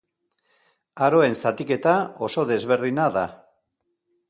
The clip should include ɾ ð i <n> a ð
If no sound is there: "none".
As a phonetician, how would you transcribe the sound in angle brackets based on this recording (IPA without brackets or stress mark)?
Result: n